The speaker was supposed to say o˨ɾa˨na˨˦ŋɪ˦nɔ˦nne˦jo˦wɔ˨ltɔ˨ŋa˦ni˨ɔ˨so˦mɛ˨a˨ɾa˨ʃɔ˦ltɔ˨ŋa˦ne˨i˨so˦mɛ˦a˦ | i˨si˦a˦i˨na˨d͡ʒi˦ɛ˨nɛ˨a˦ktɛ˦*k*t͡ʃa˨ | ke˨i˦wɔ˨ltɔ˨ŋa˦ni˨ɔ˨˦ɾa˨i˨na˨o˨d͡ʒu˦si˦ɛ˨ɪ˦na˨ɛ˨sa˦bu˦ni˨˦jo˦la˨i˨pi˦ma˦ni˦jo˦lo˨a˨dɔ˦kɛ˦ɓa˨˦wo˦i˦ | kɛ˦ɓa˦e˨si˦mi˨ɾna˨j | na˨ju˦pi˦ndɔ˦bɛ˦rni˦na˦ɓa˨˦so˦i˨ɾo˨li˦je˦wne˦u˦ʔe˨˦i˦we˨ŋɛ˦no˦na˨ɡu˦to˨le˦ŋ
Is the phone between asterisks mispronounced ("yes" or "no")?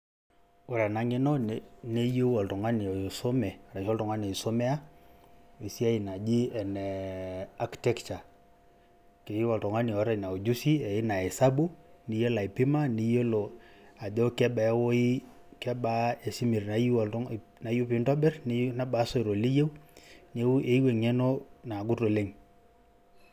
no